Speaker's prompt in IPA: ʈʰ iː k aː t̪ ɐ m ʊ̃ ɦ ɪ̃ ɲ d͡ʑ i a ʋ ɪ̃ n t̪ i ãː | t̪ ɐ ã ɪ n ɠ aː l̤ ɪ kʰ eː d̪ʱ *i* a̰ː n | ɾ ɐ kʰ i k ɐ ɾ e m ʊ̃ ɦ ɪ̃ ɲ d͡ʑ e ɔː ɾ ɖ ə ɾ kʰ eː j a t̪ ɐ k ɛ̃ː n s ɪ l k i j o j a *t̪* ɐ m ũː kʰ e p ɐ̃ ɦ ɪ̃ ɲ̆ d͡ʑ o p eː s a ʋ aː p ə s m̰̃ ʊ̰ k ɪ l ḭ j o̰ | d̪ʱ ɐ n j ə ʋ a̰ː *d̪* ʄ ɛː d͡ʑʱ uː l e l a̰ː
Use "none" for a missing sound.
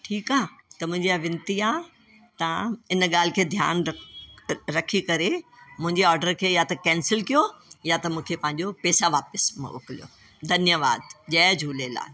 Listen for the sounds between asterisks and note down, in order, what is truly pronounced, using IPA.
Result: j, t̪, d̪

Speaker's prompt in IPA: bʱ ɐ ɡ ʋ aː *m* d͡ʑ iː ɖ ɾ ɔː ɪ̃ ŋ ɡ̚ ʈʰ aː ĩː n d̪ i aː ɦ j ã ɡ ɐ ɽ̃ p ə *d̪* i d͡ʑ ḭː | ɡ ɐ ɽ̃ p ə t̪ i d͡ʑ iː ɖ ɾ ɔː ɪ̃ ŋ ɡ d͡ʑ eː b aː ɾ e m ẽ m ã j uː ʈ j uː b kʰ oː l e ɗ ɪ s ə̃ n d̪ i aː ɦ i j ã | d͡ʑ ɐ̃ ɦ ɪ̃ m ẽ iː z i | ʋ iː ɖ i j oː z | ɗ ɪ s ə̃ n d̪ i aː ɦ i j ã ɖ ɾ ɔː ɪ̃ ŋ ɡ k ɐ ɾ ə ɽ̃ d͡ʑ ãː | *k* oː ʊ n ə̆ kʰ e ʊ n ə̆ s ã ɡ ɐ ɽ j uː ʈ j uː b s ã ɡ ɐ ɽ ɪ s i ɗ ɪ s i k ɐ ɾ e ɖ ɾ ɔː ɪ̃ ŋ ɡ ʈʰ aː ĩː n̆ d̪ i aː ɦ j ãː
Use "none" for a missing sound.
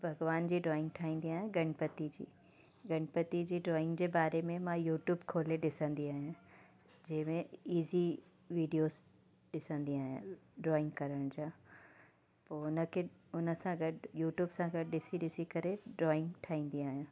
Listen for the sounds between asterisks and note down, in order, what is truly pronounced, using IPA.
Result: n, t̪, p

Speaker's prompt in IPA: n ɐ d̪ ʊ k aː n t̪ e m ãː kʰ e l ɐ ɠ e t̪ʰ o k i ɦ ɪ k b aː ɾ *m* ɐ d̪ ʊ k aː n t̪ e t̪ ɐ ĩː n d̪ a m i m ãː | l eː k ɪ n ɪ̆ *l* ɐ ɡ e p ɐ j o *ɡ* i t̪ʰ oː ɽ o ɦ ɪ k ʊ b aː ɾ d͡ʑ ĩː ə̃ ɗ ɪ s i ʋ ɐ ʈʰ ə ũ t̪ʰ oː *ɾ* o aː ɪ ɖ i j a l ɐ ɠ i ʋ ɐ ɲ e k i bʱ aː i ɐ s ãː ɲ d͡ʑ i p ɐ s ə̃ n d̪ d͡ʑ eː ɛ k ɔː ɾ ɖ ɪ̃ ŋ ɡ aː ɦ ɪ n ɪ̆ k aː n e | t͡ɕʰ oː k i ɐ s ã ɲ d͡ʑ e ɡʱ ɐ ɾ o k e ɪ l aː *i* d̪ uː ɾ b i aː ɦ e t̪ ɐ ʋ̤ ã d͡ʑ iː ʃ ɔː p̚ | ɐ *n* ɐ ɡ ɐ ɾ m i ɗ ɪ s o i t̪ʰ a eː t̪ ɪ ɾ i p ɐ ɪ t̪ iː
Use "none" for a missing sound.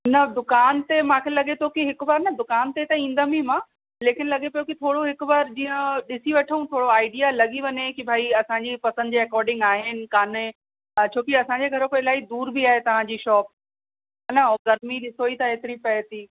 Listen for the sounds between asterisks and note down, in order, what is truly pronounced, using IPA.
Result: n, l, k, ɽ, i, n

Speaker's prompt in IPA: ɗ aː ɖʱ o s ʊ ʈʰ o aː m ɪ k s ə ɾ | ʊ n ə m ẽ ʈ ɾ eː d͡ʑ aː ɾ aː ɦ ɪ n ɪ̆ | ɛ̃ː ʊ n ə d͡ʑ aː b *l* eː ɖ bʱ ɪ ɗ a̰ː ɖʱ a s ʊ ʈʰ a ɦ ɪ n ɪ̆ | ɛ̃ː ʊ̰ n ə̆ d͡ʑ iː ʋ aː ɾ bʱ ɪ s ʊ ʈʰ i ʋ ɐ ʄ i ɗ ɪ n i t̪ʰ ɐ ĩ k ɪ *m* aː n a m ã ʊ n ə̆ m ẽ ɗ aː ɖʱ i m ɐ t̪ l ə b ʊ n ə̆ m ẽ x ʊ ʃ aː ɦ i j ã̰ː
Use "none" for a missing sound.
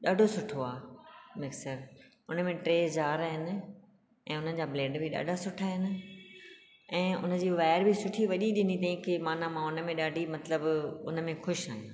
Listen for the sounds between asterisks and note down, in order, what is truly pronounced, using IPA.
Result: l, m

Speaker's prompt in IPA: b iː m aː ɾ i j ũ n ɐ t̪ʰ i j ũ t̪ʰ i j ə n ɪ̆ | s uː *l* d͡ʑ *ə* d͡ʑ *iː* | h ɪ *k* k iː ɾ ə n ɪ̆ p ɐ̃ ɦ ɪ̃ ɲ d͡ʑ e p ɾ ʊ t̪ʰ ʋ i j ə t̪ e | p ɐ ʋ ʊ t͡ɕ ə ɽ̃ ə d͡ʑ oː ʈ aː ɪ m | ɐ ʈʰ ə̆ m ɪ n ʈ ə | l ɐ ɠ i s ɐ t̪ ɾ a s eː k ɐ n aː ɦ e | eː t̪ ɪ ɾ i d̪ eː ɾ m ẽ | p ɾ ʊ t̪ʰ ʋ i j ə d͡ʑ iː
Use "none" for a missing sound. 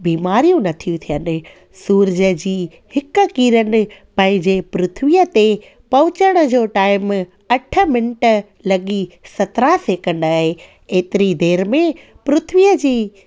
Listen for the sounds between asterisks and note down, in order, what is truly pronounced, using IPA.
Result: ɾ, ə, iː, k

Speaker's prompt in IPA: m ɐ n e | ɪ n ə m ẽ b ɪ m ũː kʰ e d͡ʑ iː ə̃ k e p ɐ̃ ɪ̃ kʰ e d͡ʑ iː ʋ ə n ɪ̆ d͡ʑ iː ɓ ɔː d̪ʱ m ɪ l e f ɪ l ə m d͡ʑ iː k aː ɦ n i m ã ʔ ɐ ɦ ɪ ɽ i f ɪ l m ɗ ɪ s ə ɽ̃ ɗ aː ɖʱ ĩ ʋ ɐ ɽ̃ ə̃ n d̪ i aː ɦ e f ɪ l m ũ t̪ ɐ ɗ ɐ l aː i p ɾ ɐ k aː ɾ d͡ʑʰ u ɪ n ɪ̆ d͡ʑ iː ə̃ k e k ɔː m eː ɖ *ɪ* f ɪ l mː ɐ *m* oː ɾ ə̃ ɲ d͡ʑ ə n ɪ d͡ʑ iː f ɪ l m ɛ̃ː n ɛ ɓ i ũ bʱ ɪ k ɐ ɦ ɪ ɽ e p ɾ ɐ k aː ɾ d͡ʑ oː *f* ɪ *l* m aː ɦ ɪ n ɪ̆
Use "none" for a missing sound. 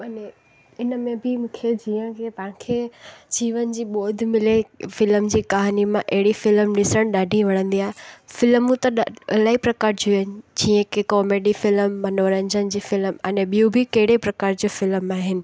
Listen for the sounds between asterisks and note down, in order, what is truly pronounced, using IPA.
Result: i, n, f, l

